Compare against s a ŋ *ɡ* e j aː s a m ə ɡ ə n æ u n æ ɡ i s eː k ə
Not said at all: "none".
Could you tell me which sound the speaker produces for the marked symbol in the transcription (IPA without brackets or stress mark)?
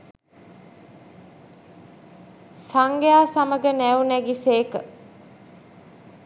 ɡ